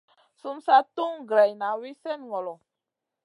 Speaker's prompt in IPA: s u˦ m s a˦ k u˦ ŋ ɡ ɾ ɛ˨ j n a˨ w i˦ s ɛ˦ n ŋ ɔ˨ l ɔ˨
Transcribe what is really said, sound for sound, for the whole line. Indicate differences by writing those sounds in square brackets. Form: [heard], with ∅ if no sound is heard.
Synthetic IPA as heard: s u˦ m s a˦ [t] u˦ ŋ ɡ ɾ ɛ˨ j n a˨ w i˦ s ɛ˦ n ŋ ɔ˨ l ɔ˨